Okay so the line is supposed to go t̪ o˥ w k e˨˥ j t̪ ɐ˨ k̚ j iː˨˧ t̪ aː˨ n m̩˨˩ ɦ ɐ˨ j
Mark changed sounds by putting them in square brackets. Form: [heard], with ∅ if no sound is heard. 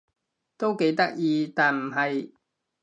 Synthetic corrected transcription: t̪ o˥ w k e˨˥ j t̪ [ɐ˥] k̚ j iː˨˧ t̪ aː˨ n m̩˨˩ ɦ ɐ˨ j